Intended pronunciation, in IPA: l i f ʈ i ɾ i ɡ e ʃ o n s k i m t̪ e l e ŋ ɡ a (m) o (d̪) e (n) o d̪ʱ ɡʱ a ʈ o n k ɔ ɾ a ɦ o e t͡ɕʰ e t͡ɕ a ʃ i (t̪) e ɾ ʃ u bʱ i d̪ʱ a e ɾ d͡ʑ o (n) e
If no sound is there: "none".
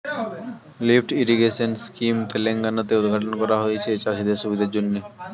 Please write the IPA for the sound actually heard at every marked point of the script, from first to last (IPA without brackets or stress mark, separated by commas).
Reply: n, t̪, none, d̪, nː